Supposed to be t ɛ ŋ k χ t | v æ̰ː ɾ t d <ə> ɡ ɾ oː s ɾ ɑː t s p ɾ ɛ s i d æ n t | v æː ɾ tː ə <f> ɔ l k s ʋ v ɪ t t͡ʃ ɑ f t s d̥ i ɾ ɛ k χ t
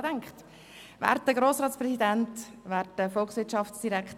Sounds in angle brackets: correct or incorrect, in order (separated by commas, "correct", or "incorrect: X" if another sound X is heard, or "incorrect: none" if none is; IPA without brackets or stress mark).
correct, correct